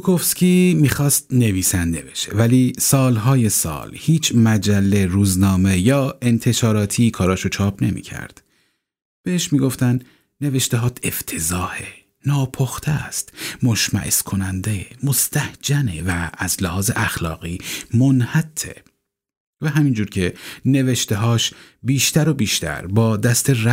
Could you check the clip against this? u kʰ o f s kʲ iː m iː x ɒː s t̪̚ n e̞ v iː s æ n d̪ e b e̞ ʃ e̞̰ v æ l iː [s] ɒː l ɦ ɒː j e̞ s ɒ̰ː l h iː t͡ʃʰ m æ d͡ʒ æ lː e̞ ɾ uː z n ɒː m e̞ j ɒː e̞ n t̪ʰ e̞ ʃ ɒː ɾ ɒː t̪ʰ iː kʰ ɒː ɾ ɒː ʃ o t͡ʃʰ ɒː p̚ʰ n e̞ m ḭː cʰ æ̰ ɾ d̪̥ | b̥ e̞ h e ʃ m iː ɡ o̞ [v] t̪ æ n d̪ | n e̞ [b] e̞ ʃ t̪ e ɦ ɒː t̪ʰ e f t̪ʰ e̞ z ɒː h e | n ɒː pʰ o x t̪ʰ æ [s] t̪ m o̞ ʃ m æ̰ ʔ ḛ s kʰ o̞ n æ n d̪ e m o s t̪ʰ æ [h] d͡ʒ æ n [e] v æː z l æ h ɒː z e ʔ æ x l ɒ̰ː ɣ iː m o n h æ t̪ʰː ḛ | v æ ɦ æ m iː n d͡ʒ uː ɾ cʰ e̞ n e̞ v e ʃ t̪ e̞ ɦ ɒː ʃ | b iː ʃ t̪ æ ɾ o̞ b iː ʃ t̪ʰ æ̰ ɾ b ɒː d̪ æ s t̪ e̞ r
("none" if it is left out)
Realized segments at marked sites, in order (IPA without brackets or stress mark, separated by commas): s, f, v, s, h, e